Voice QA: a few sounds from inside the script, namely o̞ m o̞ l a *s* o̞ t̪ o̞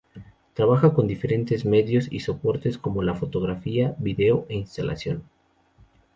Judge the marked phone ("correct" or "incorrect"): incorrect